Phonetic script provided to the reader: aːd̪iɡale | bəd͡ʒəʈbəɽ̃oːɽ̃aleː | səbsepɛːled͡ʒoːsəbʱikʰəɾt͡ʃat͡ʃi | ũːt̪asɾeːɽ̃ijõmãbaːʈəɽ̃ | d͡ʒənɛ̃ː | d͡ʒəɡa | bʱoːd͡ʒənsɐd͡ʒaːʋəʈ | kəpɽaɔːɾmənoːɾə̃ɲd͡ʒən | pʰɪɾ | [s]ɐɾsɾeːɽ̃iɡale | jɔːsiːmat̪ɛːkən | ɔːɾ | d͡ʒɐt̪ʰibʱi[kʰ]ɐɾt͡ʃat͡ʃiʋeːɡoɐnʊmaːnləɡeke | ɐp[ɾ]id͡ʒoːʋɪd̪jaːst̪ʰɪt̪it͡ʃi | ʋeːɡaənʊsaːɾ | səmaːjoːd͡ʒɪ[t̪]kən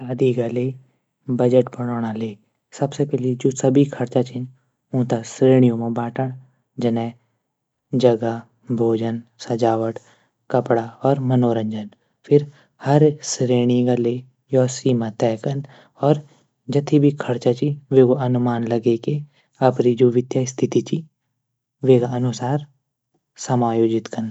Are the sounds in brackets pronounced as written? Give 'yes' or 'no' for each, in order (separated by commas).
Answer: no, yes, yes, yes